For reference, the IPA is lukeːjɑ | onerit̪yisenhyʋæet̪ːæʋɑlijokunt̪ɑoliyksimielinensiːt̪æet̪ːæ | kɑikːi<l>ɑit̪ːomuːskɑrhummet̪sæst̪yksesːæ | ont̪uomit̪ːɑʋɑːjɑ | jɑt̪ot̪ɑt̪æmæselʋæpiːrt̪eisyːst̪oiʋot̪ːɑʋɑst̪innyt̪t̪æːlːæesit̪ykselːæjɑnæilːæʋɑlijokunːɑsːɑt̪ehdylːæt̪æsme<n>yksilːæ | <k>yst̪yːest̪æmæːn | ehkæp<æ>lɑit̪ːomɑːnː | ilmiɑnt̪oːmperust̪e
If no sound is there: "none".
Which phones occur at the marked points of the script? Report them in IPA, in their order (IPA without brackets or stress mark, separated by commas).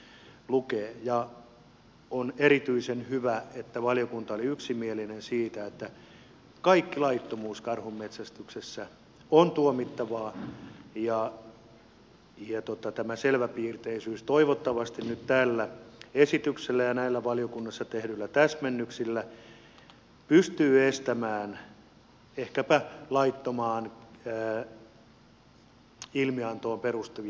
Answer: l, nː, p, æ